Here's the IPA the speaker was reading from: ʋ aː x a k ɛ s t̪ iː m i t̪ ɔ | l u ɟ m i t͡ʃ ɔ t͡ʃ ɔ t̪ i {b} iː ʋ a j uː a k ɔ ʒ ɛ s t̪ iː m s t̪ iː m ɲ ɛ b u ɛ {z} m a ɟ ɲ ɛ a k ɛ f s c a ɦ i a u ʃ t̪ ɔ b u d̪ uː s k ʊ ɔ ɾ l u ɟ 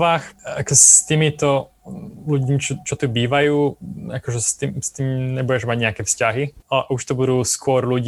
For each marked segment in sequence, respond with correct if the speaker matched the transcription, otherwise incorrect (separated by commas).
correct, incorrect